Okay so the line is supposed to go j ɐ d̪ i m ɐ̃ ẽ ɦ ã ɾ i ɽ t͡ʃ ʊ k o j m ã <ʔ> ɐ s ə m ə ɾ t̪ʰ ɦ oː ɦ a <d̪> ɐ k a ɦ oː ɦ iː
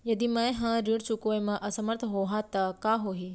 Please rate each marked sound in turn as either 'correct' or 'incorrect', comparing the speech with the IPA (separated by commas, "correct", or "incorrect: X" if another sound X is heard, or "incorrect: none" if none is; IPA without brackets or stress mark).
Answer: correct, incorrect: t̪